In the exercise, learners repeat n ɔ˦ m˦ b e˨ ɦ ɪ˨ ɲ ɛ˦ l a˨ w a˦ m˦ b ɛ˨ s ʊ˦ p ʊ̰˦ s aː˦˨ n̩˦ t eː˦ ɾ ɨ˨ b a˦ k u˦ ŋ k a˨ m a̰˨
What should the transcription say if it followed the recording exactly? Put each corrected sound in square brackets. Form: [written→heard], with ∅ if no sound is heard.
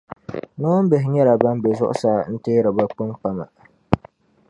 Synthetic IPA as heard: n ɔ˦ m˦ b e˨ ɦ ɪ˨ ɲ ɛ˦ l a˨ [w→b] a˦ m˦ b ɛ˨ [s→z] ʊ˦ [p→ʔ] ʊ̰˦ s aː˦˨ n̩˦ t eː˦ ɾ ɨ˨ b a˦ [k→k͡p] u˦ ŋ [k→k͡p] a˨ m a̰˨